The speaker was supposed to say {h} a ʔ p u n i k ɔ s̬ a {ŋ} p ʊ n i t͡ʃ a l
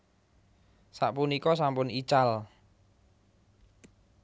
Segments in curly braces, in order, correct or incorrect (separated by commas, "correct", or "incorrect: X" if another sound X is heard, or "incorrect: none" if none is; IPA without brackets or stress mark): incorrect: s, incorrect: m